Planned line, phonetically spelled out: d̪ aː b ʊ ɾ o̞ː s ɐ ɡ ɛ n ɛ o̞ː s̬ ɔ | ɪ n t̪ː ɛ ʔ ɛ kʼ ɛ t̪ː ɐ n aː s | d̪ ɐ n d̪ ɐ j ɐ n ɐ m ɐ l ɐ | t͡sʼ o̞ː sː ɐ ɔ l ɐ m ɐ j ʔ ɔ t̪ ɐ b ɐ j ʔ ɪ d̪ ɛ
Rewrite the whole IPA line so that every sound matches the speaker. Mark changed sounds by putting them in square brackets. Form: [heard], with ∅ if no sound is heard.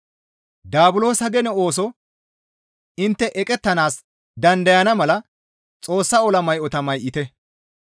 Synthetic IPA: d̪ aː b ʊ [l] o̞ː s ɐ ɡ ɛ n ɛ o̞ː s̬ ɔ | ɪ n t̪ː ɛ ʔ ɛ kʼ ɛ t̪ː ɐ n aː s | d̪ ɐ n d̪ ɐ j ɐ n ɐ m ɐ l ɐ | t͡sʼ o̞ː sː ɐ ɔ l ɐ m ɐ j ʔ ɔ t̪ ɐ [m] ɐ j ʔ ɪ [t̪] ɛ